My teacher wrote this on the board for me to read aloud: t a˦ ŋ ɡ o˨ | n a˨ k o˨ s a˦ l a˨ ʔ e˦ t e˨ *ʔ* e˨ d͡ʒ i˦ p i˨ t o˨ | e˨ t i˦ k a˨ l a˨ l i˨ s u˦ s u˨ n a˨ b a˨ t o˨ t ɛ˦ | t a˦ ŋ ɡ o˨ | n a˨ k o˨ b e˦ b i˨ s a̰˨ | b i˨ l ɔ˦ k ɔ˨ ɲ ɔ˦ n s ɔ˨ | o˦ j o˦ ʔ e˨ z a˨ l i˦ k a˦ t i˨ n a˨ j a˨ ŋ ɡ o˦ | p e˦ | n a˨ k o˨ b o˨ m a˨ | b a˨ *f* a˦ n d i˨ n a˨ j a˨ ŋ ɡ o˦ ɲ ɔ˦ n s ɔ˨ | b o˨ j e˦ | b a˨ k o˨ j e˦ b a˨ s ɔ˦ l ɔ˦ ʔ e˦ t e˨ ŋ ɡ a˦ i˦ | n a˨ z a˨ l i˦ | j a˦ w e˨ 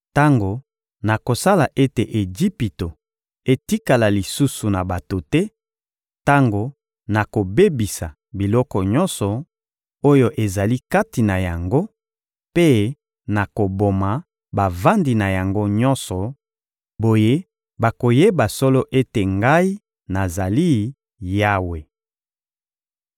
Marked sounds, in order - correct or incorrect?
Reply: correct, incorrect

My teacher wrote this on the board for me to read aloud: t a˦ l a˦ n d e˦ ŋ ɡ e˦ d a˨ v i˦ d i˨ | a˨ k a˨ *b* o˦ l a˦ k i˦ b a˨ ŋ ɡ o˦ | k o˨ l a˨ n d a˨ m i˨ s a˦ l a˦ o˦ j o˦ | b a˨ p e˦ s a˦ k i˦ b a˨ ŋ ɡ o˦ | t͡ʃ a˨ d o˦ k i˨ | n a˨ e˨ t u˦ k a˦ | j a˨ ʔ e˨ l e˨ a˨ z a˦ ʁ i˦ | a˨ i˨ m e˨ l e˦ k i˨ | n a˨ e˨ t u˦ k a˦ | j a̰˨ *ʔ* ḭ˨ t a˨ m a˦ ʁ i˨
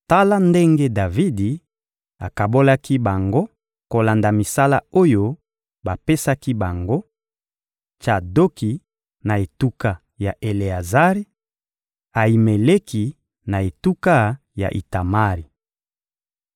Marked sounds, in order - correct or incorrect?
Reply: correct, correct

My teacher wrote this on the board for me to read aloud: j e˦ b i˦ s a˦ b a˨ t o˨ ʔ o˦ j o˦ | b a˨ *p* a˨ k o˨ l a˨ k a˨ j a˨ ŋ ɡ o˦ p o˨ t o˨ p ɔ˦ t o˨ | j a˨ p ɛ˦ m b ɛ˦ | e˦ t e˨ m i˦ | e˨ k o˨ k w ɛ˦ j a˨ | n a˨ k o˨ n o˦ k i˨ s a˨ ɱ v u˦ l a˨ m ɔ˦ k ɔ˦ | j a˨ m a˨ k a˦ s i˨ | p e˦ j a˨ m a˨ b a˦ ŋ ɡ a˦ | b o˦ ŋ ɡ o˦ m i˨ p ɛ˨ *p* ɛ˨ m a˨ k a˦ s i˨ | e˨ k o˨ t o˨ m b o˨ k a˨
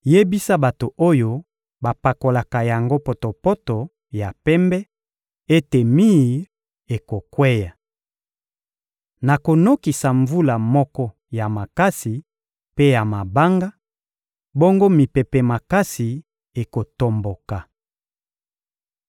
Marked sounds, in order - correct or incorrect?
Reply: correct, correct

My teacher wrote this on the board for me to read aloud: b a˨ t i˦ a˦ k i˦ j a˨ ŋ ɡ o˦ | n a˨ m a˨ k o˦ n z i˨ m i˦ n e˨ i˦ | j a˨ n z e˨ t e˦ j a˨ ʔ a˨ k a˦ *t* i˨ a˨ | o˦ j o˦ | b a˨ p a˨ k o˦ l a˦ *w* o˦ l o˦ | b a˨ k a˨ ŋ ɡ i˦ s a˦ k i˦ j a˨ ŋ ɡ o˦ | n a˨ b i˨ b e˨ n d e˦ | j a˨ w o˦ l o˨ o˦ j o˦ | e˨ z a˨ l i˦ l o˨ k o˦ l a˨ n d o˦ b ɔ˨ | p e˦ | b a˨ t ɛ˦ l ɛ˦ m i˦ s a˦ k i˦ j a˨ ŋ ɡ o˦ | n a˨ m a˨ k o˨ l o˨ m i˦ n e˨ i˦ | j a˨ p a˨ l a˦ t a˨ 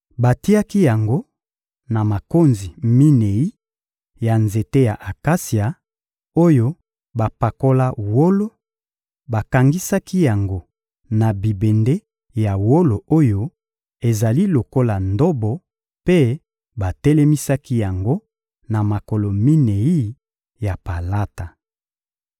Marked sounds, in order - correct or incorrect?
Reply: incorrect, correct

